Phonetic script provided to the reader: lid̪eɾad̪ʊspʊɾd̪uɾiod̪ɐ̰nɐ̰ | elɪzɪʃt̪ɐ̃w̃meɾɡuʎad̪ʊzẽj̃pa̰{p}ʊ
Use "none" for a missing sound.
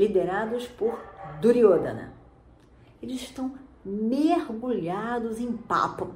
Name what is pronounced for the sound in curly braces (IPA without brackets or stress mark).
p